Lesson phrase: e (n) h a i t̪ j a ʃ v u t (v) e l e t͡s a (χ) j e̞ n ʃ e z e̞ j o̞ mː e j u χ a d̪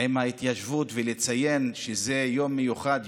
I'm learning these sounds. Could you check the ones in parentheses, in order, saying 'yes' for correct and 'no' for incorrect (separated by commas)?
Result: no, yes, no